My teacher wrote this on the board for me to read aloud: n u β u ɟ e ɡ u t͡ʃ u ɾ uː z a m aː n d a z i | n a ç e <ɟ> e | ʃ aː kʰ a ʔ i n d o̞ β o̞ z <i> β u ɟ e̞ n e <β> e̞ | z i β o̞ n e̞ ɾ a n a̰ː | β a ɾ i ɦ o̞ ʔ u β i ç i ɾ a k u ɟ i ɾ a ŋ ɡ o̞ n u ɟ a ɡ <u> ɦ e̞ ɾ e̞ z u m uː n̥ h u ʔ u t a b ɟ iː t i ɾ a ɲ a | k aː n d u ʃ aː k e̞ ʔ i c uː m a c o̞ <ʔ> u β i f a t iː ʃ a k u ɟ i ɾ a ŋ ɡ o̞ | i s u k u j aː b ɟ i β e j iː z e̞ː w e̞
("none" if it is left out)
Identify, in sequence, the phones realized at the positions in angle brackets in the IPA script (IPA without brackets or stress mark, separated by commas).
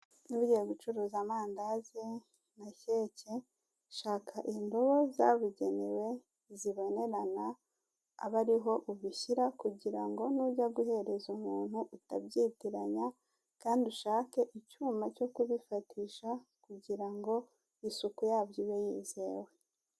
c, a, w, u, k